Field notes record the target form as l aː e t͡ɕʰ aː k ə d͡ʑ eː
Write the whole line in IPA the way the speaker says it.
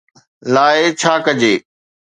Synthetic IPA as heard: l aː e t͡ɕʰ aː k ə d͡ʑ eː